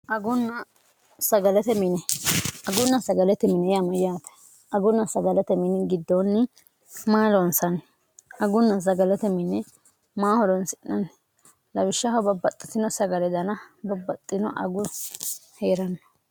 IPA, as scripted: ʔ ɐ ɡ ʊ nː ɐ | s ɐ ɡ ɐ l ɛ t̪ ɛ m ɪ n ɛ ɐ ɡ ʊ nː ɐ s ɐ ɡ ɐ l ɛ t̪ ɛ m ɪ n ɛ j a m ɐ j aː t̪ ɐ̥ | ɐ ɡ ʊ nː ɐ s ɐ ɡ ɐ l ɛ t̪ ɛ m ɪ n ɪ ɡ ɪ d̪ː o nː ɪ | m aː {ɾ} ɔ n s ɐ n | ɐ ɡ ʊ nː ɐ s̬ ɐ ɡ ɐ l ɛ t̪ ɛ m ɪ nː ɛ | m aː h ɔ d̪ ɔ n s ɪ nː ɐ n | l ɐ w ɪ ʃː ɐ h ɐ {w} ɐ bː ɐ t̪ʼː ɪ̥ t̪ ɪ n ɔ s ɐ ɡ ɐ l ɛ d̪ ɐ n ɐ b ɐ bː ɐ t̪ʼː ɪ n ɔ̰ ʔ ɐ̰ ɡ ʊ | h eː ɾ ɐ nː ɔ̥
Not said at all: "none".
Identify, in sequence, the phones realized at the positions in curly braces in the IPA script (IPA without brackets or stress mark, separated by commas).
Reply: l, b